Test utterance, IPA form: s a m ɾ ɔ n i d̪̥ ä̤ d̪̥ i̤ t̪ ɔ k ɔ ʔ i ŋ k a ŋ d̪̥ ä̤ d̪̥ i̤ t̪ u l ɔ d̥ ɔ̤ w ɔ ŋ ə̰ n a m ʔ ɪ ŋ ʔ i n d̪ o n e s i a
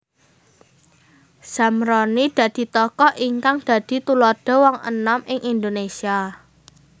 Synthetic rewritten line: s a m ɾ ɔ n i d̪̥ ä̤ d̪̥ i̤ t̪ ɔ k ɔ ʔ i ŋ k a ŋ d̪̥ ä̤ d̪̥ i̤ t̪ u l ɔ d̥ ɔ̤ w ɔ ŋ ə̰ n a m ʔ ɪ ŋ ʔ i n d̪ o n e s i a